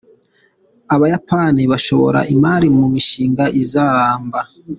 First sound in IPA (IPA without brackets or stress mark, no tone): a